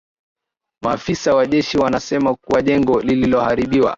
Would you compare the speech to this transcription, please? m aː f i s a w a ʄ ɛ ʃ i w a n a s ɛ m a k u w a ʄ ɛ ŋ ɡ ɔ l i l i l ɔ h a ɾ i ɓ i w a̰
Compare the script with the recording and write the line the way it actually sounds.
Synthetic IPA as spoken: m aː f i s a w a ʄ ɛ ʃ i w a n a s ɛ m a k u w a ʄ ɛ ŋ ɡ ɔ l i l i l ɔ h a ɾ i ɓ i w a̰